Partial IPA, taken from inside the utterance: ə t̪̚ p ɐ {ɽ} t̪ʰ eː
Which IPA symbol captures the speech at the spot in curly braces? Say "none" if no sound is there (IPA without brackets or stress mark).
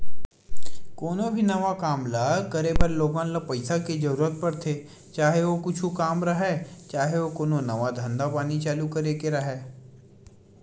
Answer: ɾ